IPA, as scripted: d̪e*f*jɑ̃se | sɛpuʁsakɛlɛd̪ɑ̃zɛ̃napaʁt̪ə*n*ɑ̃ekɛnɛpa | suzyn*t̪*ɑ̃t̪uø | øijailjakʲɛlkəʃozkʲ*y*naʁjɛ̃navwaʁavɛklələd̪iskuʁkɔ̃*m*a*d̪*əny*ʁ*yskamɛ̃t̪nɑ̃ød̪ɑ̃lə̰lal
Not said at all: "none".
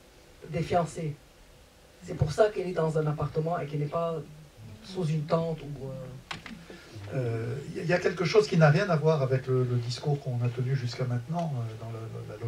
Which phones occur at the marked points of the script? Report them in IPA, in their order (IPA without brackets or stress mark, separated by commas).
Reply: f, m, t̪, i, n, t̪, ʒ